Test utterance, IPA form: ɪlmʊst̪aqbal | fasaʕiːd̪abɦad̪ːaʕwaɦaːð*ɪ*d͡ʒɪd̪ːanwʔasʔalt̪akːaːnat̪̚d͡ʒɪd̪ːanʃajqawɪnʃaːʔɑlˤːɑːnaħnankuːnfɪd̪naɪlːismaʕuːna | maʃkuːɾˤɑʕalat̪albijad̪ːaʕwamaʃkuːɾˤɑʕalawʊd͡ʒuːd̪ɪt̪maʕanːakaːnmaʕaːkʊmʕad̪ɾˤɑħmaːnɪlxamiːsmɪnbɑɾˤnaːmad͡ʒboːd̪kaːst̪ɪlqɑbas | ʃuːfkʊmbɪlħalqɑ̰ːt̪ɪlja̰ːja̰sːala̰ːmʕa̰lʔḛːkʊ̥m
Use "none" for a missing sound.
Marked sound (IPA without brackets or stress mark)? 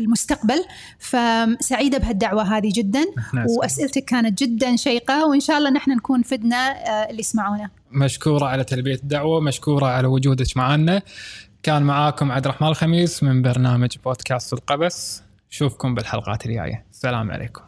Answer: i